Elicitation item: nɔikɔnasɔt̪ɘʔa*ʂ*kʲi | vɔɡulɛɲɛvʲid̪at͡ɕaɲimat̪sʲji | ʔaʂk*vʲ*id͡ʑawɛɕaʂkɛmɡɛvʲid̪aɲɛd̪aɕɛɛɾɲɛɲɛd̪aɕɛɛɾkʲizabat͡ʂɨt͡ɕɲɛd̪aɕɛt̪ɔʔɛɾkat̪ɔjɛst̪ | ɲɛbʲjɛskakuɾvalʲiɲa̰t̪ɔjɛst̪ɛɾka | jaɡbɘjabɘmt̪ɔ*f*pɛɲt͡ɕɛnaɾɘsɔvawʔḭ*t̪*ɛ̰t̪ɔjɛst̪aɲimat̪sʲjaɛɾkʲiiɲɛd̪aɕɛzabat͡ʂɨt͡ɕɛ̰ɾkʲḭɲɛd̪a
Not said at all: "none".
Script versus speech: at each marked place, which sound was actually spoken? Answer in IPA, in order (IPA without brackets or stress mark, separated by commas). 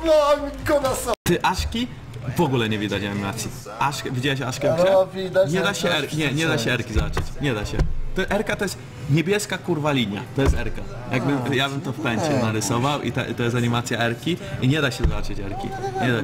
ʂ, vʲ, f, t̪